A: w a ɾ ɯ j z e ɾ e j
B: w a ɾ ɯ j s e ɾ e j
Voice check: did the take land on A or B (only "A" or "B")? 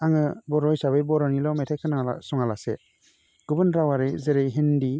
A